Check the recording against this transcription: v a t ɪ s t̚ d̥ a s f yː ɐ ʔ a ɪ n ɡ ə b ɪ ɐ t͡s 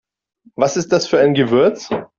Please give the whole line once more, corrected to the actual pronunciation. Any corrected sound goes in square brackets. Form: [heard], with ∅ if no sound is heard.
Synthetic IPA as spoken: v a [s] ɪ s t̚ d̥ a s f yː ɐ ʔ a ɪ n ɡ ə [v] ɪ ɐ t͡s

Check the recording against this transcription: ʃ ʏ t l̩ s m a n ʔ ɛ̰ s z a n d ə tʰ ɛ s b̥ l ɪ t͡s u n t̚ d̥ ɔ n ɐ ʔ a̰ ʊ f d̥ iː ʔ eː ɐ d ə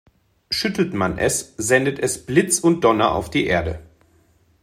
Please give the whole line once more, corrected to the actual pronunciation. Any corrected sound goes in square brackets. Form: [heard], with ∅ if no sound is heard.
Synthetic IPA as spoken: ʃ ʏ t l̩ [t] m a n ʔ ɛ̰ s z [ɛ] n d ə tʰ ɛ s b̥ l ɪ t͡s [ʊ] n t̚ d̥ ɔ n ɐ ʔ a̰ ʊ f d̥ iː ʔ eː ɐ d ə

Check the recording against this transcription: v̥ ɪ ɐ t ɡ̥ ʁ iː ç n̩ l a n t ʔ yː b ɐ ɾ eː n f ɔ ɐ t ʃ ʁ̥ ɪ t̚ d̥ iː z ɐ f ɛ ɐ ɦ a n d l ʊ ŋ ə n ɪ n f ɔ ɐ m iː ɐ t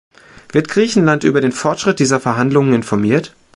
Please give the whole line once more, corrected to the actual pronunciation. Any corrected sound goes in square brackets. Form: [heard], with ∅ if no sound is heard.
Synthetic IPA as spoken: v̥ ɪ ɐ t ɡ̥ ʁ iː ç n̩ l a n t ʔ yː b ɐ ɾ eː n f ɔ ɐ t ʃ ʁ̥ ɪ t̚ d̥ iː z ɐ f ɛ ɐ ɦ a n d l ʊ ŋ ə n ɪ n f ɔ ɐ m iː ɐ t

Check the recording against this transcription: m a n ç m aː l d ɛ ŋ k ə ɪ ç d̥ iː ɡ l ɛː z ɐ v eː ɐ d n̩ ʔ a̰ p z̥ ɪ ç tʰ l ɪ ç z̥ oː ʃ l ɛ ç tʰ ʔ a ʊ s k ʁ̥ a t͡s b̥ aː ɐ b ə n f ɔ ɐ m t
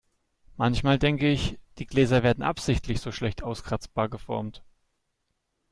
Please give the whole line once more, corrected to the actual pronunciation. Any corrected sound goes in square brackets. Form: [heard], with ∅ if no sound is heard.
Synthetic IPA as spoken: m a n ç m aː l d ɛ ŋ k ə ɪ ç d̥ iː ɡ l ɛː z ɐ v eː ɐ d n̩ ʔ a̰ p z̥ ɪ ç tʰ l ɪ ç z̥ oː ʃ l ɛ ç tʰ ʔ a ʊ s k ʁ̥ a t͡s b̥ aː ɐ [ɡ] ə [∅] f ɔ ɐ m t

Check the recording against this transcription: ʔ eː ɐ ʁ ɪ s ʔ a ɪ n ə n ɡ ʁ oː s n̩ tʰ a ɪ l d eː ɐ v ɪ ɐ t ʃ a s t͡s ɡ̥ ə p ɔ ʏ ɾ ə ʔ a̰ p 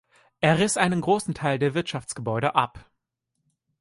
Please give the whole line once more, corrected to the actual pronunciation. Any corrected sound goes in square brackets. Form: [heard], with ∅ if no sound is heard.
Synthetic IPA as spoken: ʔ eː ɐ ʁ ɪ s ʔ a ɪ n ə n ɡ ʁ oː s n̩ tʰ a ɪ l d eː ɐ v ɪ ɐ t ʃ a [f] t͡s ɡ̥ ə [b] ɔ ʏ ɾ ə ʔ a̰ p

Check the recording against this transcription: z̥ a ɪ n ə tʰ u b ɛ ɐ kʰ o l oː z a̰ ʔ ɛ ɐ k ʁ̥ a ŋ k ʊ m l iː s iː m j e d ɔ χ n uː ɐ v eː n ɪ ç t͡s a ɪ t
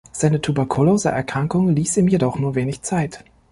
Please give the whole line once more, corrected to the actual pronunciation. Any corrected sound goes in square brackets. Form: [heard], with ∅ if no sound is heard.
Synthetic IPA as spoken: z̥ a ɪ n ə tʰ u b ɛ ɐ kʰ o l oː z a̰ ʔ ɛ ɐ k ʁ̥ a ŋ k ʊ [ŋ] l iː s iː m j e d ɔ χ n uː ɐ v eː n ɪ ç t͡s a ɪ t

